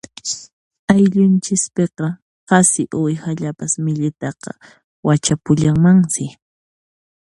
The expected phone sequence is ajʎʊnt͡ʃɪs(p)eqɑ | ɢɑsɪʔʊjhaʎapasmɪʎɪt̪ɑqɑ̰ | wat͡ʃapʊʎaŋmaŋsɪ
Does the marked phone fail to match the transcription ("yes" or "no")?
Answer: no